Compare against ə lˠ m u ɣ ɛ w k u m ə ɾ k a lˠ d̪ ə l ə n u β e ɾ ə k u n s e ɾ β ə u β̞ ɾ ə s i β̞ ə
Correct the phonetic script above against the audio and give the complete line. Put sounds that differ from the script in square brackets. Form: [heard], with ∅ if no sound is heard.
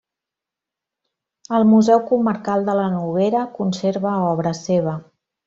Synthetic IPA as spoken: ə lˠ m u [z] ɛ w k u m ə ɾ k a lˠ d̪ ə l ə n u β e ɾ ə k u n s e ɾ β ə [ɔ] β̞ ɾ ə s [e] β̞ ə